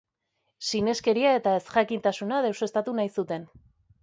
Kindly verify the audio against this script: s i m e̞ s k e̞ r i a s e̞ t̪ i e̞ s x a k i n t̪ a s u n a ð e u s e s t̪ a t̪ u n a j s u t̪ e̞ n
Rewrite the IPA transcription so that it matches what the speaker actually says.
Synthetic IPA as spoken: s i n e̞ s k e̞ ɾ i a e̞ t̪ a e̞ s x a k i n t̪ a s u n a ð e w s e s t̪ a t̪ u n a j s u t̪ e̞ n